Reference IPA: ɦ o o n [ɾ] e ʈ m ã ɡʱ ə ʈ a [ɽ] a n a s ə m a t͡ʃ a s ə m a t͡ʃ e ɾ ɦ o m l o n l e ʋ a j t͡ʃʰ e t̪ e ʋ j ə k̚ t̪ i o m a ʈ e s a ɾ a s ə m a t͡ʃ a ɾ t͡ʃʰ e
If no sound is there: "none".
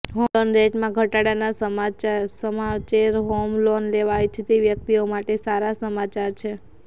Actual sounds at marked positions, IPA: ɾ, ɽ

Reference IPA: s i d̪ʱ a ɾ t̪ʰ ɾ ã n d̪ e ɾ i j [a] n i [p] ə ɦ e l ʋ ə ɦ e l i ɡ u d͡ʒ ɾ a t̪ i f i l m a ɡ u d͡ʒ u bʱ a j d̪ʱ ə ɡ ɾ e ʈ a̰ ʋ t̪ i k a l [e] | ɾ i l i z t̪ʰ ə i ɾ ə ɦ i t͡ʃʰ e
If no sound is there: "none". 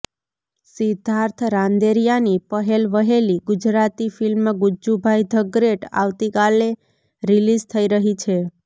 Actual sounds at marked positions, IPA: a, p, e

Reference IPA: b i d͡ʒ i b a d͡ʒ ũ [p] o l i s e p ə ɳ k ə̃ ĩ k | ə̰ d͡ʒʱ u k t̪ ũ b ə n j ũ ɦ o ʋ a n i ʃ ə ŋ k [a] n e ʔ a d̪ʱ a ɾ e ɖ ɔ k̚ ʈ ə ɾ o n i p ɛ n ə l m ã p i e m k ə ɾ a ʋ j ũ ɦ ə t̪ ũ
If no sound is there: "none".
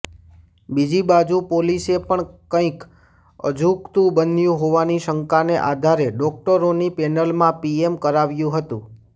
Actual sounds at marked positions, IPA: p, a

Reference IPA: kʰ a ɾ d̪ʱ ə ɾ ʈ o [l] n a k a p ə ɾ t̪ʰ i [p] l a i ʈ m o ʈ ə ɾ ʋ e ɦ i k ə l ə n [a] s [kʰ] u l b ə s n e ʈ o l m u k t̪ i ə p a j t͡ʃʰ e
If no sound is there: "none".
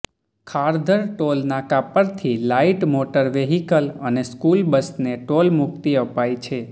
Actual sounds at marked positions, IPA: l, none, e, k

